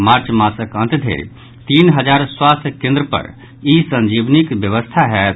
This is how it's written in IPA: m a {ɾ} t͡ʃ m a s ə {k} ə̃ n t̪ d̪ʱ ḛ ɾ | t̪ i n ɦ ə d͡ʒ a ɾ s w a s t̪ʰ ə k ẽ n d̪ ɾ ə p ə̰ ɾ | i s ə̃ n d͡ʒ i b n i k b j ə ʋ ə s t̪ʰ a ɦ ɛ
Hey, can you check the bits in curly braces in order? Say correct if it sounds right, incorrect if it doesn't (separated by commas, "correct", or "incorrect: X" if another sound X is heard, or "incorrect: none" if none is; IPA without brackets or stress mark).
correct, correct